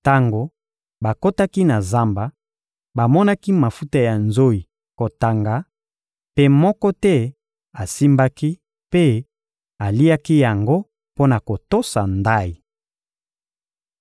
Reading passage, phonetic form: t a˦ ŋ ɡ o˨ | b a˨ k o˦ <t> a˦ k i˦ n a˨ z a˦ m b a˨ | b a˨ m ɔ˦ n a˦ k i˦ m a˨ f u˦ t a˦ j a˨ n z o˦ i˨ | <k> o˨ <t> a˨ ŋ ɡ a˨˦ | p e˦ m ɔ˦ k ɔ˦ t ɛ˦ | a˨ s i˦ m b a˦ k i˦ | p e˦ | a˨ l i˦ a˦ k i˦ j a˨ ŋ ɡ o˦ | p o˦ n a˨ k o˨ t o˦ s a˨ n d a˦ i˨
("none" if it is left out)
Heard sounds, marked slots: t, k, t

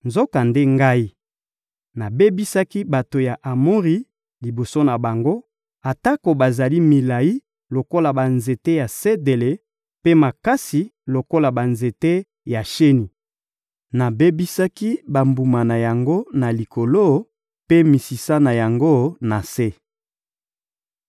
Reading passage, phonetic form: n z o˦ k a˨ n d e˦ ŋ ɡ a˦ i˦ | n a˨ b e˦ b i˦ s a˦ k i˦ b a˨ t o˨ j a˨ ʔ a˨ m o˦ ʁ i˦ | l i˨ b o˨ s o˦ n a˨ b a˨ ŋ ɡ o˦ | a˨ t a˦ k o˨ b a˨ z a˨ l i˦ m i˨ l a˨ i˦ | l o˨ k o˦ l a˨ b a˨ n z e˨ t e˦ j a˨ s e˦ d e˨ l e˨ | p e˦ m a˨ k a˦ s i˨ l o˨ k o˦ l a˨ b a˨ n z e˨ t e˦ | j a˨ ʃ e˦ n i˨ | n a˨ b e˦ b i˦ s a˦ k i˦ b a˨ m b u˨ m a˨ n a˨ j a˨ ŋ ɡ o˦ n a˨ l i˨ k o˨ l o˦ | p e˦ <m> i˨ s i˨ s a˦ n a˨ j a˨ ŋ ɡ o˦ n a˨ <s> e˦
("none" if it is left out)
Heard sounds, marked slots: m, s

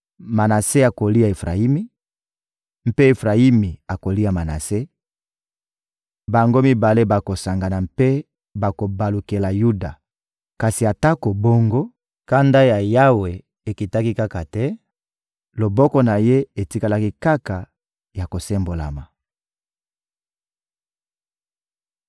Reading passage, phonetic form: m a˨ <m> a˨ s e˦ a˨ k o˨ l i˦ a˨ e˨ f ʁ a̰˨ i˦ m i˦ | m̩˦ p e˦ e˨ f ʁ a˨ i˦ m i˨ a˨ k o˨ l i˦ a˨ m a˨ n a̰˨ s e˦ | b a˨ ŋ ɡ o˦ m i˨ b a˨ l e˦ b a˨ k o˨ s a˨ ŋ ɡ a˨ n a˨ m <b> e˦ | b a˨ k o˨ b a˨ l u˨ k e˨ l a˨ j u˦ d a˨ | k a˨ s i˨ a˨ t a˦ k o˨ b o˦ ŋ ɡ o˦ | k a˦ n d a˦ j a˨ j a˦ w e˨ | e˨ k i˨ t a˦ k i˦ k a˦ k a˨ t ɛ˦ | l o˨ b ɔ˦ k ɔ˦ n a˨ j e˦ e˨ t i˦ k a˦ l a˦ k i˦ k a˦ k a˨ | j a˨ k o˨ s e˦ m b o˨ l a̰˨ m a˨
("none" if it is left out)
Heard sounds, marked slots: n, p

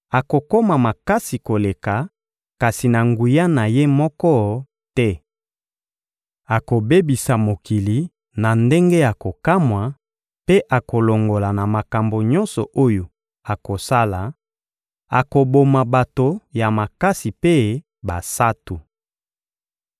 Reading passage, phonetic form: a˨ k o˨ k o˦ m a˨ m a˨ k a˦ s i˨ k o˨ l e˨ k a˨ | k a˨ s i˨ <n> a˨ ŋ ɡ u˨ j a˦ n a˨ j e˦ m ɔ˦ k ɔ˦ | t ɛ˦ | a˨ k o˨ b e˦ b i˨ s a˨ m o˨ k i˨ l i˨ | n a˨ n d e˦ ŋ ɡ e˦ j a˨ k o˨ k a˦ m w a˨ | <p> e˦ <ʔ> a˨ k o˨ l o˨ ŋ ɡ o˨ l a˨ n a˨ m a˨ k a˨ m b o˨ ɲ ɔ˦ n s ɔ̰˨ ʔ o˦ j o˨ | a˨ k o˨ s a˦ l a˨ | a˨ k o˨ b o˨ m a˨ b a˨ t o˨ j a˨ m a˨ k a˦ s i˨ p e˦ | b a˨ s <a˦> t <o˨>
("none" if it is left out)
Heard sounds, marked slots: n, p, ʔ, a˦, u˨

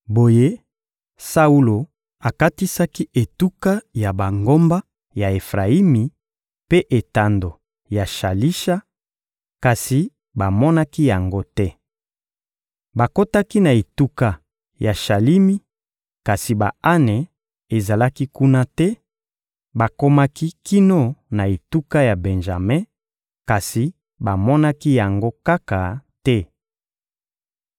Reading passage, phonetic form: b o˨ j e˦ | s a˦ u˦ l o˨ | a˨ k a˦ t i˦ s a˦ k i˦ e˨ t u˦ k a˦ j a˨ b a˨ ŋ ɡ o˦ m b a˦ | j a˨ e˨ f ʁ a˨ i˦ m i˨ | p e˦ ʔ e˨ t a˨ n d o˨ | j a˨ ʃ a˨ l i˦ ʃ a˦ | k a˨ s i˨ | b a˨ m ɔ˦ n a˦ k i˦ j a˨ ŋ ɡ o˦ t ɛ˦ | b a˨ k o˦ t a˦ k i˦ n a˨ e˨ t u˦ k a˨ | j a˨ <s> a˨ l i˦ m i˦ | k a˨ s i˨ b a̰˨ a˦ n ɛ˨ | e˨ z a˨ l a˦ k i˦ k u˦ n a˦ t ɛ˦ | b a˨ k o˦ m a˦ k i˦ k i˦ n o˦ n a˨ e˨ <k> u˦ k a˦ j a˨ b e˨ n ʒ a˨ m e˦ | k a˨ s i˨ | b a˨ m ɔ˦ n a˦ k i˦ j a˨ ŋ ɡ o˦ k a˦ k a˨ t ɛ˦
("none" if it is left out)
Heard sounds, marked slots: ʃ, t

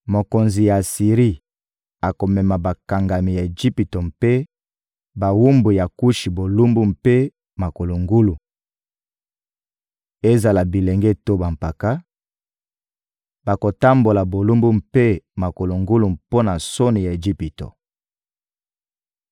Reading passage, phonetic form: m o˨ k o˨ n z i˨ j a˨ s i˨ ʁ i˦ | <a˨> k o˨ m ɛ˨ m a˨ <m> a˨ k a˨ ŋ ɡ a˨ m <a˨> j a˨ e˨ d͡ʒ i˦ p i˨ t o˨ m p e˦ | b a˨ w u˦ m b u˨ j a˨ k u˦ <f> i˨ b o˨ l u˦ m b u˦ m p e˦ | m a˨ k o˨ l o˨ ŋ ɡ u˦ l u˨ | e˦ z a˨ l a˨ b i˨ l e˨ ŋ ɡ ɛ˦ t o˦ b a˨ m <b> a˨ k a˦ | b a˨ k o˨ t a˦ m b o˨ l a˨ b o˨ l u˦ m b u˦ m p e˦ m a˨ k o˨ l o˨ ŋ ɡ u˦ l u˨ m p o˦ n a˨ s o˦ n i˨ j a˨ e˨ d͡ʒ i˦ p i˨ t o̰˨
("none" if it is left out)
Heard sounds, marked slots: a˨, b, i˨, ʃ, p

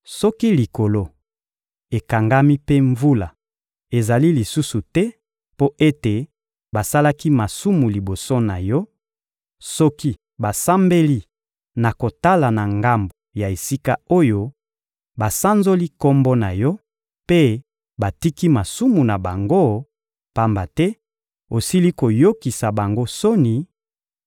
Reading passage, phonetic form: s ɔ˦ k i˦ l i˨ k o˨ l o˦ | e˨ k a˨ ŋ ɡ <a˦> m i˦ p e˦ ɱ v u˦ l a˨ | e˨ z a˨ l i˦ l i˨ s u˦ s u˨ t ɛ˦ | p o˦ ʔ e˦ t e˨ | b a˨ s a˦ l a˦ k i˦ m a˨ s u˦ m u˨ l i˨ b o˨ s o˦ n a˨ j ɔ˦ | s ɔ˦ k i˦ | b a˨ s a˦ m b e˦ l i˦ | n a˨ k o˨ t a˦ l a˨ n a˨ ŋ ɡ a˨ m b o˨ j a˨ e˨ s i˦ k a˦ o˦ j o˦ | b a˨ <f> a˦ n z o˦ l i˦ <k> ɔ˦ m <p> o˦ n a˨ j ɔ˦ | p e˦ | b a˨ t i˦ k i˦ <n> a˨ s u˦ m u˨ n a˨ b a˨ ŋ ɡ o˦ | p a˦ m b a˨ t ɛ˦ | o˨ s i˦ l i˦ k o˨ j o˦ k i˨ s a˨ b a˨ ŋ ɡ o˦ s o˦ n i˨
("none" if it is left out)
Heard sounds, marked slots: a˦, s, k, b, m

